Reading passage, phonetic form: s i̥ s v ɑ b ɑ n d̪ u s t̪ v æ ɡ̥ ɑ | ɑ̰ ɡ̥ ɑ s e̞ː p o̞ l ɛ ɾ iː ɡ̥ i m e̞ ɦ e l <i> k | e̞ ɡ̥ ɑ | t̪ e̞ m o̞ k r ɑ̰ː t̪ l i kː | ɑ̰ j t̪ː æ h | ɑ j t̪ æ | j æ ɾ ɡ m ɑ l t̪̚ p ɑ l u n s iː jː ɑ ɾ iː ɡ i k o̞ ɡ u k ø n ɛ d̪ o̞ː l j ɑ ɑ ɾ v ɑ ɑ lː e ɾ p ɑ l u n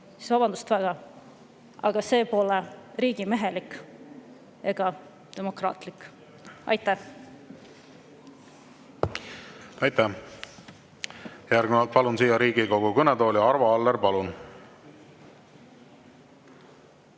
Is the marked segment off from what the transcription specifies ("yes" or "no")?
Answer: no